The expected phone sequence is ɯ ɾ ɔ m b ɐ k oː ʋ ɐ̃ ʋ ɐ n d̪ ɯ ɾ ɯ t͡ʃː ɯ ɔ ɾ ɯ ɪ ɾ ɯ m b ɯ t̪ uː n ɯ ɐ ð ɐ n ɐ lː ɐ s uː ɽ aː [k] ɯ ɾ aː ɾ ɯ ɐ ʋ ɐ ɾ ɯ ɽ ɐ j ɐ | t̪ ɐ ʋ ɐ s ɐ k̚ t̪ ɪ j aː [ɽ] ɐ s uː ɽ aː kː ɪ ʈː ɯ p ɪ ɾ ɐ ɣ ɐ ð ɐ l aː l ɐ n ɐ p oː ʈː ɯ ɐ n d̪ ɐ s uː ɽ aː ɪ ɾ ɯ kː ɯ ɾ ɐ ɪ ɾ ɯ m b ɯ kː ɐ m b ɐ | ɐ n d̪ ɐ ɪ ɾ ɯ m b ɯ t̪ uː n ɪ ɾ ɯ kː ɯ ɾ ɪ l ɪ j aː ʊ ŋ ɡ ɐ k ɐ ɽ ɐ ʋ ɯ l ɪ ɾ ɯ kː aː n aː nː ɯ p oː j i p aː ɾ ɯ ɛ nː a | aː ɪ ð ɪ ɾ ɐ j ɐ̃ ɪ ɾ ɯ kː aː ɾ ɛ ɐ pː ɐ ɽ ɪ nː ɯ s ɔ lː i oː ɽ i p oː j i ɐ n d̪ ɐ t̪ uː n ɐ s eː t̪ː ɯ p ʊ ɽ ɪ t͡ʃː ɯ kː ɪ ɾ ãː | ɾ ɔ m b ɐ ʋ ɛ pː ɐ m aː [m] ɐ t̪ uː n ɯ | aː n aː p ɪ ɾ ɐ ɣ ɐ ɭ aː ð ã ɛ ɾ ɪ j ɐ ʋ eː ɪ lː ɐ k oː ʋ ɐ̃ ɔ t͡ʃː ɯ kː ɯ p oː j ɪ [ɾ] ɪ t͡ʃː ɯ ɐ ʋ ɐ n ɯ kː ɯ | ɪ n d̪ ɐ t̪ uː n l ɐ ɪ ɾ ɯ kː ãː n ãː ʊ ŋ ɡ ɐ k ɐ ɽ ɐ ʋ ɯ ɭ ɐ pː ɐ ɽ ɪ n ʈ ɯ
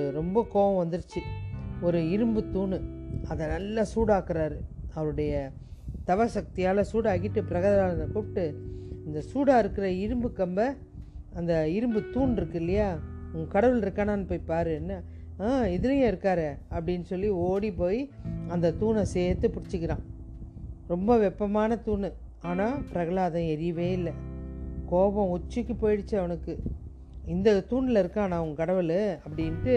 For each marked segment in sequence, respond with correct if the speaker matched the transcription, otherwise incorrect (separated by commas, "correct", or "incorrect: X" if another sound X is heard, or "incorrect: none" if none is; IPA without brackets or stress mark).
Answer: correct, incorrect: l, incorrect: n, incorrect: ɽ